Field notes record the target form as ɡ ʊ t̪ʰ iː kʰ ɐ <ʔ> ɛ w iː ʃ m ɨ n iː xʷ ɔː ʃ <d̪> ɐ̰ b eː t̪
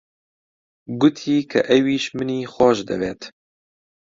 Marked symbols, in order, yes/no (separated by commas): yes, yes